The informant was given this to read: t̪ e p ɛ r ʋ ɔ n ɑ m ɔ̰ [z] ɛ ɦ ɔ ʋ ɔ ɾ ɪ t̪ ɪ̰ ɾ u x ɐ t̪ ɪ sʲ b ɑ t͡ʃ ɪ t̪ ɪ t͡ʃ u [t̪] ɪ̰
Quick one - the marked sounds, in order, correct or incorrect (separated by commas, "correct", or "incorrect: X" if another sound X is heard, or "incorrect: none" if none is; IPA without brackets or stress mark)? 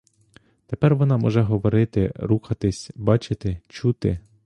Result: incorrect: ʒ, correct